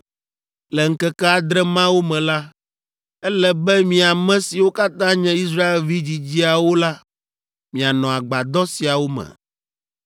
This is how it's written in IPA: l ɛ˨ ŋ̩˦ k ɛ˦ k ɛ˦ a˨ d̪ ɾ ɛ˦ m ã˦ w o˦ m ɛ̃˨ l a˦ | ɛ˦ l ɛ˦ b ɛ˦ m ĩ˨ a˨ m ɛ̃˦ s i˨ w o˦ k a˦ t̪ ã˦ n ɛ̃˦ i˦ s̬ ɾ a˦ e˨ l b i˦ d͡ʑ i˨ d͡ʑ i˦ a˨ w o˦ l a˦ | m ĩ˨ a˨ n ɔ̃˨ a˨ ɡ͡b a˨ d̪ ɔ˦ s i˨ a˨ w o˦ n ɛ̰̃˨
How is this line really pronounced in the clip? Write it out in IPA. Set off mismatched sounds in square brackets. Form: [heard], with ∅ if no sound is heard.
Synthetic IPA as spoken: l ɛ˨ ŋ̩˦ k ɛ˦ k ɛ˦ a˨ d̪ ɾ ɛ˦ m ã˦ w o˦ m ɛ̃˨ l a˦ | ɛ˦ l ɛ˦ b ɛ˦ m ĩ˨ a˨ m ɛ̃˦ s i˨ w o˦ k a˦ t̪ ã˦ [ɲ] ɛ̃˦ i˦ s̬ ɾ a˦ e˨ l [v] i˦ d͡ʑ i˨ d͡ʑ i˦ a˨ w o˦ l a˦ | m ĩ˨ a˨ n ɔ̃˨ a˨ ɡ͡b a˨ d̪ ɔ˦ s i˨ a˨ w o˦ [m] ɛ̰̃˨